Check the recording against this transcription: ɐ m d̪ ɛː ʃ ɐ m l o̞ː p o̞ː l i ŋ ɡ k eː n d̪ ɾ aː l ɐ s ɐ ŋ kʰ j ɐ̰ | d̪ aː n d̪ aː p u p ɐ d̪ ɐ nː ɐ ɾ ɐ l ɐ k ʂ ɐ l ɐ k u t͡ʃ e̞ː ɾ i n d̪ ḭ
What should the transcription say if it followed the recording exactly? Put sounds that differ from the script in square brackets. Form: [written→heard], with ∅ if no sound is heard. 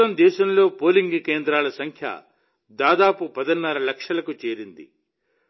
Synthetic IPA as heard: ɐ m d̪ ɛː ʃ ɐ m l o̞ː p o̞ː l i ŋ ɡ k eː n d̪ ɾ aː l ɐ s ɐ ŋ kʰ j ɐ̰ | d̪ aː [n→∅] d̪ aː p u p ɐ d̪ ɐ nː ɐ ɾ ɐ l ɐ k ʂ ɐ l ɐ k u t͡ʃ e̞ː ɾ i n d̪ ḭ

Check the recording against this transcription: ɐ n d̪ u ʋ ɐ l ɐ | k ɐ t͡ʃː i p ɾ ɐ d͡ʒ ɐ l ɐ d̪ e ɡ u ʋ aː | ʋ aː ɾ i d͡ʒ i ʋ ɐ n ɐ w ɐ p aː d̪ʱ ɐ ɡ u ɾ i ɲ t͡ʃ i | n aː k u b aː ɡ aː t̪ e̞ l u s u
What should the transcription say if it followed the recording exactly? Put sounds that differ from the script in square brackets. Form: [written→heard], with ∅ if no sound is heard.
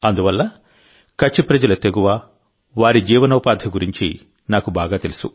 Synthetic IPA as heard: ɐ n d̪ u ʋ ɐ [l→lː] ɐ | k ɐ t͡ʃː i p ɾ ɐ d͡ʒ ɐ l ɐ [d̪→t̪] e ɡ u ʋ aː | ʋ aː ɾ i d͡ʒ [i→iː] ʋ ɐ n ɐ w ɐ p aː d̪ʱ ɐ ɡ u ɾ i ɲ t͡ʃ i | n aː k u b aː ɡ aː t̪ e̞ l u s u

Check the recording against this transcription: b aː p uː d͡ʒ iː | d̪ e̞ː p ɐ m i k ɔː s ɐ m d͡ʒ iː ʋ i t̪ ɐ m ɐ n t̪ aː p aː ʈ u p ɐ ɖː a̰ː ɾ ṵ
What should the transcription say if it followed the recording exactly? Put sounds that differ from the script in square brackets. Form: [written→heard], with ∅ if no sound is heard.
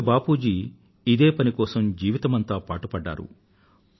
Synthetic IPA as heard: b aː p uː d͡ʒ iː | d̪ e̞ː p ɐ [m→n] i k ɔː s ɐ m d͡ʒ iː ʋ i t̪ ɐ m ɐ n t̪ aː p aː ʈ u p ɐ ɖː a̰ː ɾ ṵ

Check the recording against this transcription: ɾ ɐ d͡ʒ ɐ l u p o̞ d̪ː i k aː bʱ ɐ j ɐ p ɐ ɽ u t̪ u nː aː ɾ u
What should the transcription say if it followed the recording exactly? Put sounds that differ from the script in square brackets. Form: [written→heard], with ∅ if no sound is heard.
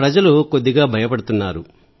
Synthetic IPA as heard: ɾ ɐ d͡ʒ ɐ l u [p→k] o̞ d̪ː i [k→ɡ] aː bʱ ɐ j ɐ p ɐ ɽ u t̪ u nː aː ɾ u

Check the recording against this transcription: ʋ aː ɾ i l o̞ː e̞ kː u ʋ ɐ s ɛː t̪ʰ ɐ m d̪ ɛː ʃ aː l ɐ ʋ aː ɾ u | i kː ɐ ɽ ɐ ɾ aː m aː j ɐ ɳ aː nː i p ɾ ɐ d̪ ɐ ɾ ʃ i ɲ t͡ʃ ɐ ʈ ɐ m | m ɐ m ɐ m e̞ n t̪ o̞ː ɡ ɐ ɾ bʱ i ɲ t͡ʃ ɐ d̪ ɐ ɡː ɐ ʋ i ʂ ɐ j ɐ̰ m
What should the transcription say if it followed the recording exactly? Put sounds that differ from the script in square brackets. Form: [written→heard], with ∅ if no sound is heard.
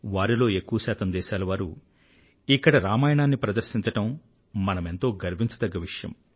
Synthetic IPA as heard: ʋ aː ɾ i l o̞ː e̞ kː u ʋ ɐ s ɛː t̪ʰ ɐ m d̪ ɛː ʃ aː l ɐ ʋ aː ɾ u | i kː ɐ ɽ ɐ ɾ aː m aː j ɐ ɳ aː nː i p ɾ ɐ d̪ ɐ ɾ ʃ i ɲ t͡ʃ ɐ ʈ ɐ m | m ɐ [m→n] ɐ m e̞ n t̪ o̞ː ɡ ɐ ɾ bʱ i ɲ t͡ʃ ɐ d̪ ɐ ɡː ɐ ʋ i ʂ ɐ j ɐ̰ m

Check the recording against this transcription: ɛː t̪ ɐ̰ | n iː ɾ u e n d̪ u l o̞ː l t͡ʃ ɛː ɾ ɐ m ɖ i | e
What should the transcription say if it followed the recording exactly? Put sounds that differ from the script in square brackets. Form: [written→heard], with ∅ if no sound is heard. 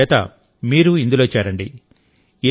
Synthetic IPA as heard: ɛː t̪ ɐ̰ | [n→m] iː ɾ u [e→i] n d̪ u l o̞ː [l→∅] t͡ʃ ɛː ɾ ɐ [m→ɳ] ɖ i | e

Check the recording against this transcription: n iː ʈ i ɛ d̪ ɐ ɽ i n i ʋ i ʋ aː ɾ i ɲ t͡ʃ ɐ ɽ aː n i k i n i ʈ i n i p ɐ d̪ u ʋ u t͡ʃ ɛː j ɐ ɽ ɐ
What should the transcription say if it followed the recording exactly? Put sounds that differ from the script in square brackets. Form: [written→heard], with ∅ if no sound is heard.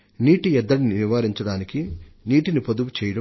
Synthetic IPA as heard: n iː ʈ i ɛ [d̪→d̪ː] ɐ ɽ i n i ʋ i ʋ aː ɾ i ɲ t͡ʃ ɐ ɽ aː n i k i n [i→iː] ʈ i n i p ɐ d̪ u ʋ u t͡ʃ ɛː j ɐ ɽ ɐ

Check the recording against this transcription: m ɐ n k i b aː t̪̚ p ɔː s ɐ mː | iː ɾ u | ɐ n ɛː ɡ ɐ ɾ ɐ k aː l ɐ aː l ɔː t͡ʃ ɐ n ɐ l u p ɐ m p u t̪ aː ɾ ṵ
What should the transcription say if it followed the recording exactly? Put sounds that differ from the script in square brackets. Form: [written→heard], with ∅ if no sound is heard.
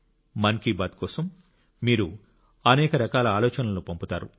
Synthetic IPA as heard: m ɐ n k i b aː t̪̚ [p→k] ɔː s ɐ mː | iː ɾ u | ɐ n ɛː [ɡ→k] ɐ ɾ ɐ k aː l ɐ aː l ɔː t͡ʃ ɐ n ɐ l u p ɐ m p u t̪ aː ɾ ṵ

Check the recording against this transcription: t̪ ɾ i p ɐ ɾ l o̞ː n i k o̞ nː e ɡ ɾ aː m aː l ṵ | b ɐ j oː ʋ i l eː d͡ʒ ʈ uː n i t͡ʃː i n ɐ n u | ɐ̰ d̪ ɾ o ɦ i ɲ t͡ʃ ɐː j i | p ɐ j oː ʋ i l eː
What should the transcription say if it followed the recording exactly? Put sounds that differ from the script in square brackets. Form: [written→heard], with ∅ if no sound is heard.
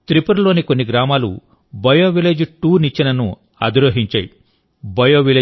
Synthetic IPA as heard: t̪ ɾ i p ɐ ɾ l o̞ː n i k o̞ nː [e→i] ɡ ɾ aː m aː l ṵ | b ɐ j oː ʋ i l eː d͡ʒ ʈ uː n i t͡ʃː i n ɐ n u | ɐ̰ d̪ ɾ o ɦ i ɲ t͡ʃ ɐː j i | [p→b] ɐ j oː ʋ i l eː

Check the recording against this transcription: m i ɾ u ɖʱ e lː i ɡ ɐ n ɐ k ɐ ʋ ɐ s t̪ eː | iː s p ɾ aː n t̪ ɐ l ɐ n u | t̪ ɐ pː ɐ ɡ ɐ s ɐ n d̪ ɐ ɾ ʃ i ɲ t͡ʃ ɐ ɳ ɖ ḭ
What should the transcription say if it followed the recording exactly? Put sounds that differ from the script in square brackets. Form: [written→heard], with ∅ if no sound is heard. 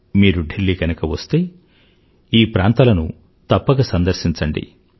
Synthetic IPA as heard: m [i→iː] ɾ u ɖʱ e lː i ɡ ɐ n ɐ k ɐ ʋ ɐ s t̪ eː | iː [s→∅] p ɾ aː n t̪ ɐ l ɐ n u | t̪ ɐ pː ɐ ɡ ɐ s ɐ n d̪ ɐ ɾ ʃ i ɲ t͡ʃ ɐ ɳ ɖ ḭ

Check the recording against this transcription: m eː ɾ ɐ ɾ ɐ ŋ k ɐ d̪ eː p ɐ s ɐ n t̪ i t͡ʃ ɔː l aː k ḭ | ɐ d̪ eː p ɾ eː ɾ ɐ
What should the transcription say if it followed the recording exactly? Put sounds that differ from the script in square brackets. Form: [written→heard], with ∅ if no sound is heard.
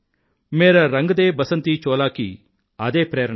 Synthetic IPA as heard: m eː ɾ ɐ ɾ ɐ ŋ [k→ɡ] ɐ d̪ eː [p→b] ɐ s ɐ n t̪ i t͡ʃ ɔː l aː k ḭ | ɐ d̪ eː p ɾ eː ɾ ɐ

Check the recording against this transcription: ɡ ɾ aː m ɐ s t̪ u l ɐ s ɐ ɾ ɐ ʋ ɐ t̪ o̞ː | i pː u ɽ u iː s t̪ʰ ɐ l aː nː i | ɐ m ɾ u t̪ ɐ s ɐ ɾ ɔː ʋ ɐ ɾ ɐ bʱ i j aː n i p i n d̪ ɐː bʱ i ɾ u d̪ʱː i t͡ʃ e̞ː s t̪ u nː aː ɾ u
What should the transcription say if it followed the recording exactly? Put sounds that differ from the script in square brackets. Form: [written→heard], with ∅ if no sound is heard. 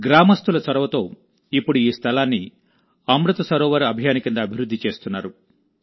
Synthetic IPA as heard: ɡ ɾ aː m ɐ s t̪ u l ɐ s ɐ ɾ ɐ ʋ ɐ t̪ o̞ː | i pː u ɽ u iː s t̪ʰ ɐ l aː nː i | ɐ m ɾ u t̪ ɐ s ɐ ɾ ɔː ʋ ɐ ɾ ɐ bʱ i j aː n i [p→k] i n d̪ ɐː bʱ i ɾ u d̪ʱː i t͡ʃ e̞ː s t̪ u nː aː ɾ u

